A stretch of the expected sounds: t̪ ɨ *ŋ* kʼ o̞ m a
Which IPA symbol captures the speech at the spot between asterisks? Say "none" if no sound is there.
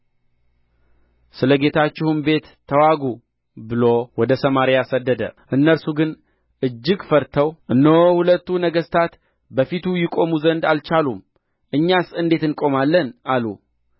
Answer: n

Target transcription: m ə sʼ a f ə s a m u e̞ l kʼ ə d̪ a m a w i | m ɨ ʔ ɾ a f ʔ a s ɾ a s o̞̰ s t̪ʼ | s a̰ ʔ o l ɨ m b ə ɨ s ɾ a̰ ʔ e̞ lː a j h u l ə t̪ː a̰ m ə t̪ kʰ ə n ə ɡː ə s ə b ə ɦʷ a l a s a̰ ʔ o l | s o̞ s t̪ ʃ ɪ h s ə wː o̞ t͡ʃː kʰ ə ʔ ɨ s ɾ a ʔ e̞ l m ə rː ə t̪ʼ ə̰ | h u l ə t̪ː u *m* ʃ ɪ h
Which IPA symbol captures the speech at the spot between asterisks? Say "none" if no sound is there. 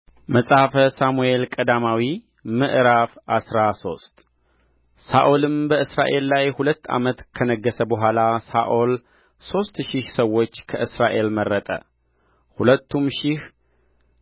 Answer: m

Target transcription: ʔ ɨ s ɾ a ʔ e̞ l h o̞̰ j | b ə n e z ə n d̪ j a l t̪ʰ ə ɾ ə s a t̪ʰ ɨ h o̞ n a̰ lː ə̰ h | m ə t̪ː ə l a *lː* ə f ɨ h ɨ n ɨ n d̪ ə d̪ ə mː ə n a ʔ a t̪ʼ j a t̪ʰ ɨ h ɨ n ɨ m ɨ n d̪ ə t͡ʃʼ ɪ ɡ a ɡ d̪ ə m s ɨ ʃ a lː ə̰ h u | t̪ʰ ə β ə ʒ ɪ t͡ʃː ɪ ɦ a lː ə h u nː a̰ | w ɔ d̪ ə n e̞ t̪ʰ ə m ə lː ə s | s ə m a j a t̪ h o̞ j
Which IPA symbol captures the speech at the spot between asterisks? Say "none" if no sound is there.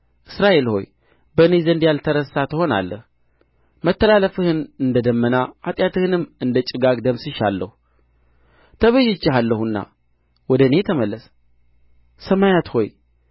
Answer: l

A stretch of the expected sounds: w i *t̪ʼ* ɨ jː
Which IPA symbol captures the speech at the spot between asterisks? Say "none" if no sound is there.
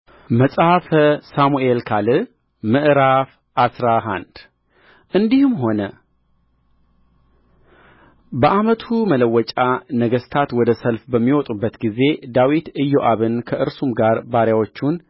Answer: t̪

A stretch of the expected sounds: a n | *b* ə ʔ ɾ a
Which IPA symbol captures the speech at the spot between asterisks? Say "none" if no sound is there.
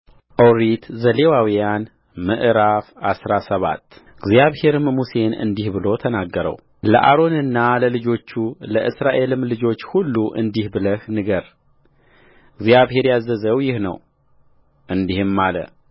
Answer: m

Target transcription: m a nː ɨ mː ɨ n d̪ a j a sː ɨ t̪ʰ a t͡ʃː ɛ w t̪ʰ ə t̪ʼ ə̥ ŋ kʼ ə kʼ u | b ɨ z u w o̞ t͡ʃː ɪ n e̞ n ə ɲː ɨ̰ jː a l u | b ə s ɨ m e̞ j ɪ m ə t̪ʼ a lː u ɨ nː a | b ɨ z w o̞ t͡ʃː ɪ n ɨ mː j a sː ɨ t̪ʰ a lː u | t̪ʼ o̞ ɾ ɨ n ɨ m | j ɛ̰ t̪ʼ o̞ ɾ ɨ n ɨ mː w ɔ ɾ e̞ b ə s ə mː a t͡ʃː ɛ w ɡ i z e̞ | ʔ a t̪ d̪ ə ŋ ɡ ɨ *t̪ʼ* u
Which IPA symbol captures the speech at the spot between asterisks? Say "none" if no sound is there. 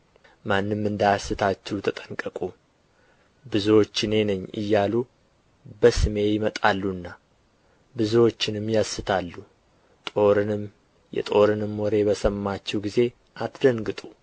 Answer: t̪ʼ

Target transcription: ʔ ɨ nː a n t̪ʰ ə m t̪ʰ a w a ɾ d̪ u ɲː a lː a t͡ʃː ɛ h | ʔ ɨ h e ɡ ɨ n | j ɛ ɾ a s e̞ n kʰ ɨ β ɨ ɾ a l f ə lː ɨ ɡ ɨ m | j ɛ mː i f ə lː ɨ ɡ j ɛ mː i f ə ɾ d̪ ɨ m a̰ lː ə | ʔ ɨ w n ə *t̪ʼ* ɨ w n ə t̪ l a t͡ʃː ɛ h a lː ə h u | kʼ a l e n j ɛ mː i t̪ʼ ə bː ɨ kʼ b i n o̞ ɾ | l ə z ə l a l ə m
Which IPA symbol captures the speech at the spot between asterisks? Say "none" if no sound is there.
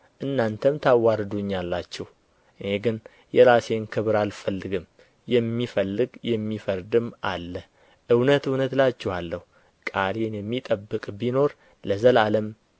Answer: t̪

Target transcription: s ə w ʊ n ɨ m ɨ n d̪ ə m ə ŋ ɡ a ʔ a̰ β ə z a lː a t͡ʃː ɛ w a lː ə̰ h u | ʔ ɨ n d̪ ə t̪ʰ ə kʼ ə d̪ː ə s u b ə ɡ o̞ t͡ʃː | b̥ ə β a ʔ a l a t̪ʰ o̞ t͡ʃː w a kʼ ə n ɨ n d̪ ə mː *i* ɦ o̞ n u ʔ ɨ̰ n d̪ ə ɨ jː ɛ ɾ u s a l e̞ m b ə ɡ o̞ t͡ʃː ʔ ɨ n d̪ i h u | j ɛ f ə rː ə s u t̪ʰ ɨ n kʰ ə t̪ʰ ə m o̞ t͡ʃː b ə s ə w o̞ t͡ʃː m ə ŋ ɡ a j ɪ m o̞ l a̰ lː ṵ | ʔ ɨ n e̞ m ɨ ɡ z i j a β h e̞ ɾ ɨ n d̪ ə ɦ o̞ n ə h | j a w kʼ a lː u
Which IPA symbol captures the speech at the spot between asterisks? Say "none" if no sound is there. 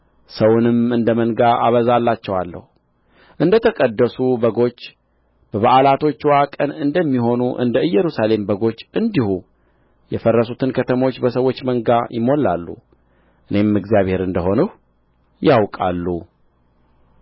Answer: i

